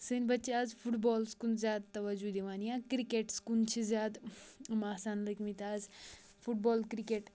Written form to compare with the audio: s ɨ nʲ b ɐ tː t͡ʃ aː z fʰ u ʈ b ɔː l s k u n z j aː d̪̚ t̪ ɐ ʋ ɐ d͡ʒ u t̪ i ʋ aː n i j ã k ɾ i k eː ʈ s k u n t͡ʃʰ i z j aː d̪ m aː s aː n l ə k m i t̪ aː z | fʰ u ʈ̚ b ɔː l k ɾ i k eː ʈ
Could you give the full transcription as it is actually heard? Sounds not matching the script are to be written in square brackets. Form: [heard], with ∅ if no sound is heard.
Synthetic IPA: s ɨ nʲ b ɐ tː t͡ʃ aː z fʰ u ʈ b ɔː l s k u n z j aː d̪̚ t̪ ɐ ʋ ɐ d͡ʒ u [d̪] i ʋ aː n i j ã k ɾ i k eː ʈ s k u n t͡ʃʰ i z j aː d̪ m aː s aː n l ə k m i t̪ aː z | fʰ u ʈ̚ b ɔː l k ɾ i k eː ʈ